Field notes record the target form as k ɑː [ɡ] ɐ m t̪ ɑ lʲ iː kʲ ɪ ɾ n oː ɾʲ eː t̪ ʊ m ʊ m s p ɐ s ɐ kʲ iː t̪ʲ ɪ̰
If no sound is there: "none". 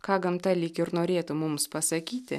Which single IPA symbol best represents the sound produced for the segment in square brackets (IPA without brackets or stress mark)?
ɡ